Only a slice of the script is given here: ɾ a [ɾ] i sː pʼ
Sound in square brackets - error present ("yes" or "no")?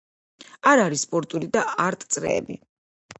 no